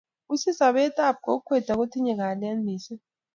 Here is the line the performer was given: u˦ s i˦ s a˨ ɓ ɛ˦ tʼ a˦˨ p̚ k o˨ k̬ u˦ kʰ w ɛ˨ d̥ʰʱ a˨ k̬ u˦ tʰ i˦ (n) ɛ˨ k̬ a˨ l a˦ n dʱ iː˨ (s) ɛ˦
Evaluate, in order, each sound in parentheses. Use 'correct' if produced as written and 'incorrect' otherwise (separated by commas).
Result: incorrect, correct